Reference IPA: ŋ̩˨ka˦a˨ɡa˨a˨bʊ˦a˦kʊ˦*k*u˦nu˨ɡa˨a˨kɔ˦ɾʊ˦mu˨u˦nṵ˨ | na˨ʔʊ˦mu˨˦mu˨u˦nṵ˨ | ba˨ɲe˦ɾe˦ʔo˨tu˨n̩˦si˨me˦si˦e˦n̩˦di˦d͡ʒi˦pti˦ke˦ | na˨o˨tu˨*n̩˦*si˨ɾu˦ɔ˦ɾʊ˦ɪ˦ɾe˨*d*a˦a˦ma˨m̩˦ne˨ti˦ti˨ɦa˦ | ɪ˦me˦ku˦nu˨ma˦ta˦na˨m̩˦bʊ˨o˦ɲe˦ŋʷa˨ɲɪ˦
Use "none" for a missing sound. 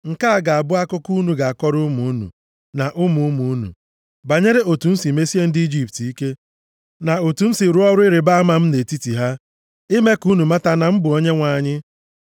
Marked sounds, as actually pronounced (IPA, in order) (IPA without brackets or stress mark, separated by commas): k, n̩˦, b